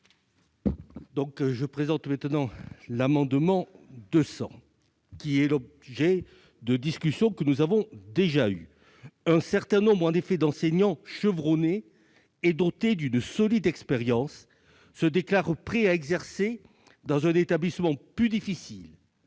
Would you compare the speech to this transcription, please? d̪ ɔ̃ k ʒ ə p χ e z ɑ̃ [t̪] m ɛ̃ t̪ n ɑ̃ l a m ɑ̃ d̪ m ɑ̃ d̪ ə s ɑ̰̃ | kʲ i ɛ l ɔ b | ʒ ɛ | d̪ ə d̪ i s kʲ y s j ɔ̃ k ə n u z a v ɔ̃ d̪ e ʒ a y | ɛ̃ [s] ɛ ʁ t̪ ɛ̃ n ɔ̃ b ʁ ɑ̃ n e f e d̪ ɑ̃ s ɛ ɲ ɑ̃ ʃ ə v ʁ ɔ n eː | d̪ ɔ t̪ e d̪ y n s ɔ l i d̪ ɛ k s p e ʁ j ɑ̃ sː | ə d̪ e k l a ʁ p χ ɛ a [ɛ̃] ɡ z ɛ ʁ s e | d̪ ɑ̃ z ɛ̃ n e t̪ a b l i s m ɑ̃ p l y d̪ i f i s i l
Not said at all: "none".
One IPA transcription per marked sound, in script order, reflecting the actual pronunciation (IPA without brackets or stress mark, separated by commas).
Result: t̪, s, ɛ